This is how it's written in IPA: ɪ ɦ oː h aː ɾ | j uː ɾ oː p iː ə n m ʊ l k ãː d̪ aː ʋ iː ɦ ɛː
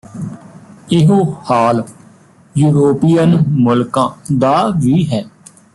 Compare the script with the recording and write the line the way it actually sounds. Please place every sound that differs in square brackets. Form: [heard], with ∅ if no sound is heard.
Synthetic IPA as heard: ɪ ɦ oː h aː [l] | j uː ɾ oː p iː ə n m ʊ l k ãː d̪ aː ʋ iː ɦ ɛː